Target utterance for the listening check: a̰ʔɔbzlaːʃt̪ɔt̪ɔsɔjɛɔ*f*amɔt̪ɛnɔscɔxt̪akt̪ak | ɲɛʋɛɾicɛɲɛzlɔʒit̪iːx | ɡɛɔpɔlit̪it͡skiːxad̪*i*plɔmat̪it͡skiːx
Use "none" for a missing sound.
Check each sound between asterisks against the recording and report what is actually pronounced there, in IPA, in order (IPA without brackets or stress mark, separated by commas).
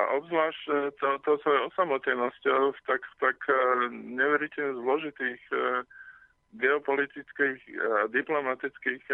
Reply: s, i